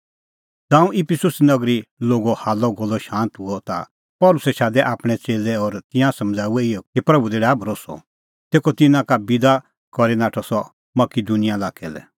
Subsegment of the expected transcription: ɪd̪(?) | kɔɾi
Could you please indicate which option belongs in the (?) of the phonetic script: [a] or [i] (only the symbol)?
a